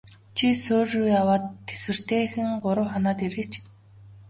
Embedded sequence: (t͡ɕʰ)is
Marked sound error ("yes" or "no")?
no